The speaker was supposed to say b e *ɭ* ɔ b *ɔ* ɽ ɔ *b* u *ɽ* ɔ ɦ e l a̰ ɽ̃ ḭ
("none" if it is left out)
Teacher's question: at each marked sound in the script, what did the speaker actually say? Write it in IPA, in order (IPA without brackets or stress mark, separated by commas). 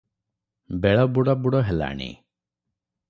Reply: ɭ, u, b, ɽ